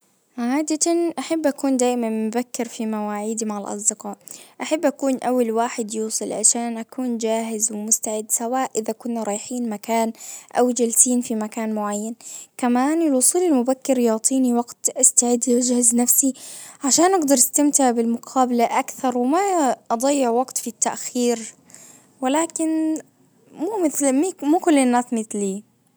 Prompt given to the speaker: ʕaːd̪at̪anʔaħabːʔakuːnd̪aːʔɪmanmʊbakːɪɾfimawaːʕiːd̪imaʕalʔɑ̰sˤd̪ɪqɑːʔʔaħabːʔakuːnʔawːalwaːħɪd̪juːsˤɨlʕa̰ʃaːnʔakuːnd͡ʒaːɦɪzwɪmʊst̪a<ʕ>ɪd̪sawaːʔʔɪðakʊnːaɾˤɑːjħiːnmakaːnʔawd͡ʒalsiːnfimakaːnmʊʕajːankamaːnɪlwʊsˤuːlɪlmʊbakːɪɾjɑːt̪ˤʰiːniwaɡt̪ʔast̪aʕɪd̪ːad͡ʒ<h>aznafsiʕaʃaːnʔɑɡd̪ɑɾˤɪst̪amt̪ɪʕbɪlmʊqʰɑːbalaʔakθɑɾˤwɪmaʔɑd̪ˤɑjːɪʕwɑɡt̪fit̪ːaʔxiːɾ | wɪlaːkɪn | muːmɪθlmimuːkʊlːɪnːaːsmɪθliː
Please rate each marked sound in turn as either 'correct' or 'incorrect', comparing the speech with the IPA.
correct, correct

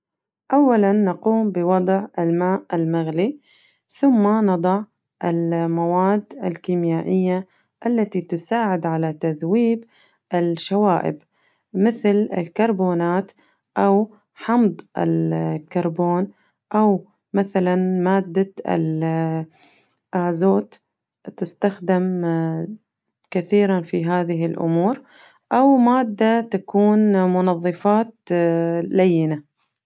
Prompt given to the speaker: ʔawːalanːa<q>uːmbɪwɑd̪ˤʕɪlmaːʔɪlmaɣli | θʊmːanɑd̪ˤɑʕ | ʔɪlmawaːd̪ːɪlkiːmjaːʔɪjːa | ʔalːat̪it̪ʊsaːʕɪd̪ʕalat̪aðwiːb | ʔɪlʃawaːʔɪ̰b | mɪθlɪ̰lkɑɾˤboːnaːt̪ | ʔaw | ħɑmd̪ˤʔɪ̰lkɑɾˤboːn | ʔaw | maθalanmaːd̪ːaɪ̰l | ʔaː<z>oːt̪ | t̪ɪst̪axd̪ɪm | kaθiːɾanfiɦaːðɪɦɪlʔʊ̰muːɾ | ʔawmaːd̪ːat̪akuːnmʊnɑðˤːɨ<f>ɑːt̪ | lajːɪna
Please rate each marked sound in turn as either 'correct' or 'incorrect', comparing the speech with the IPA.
correct, correct, correct

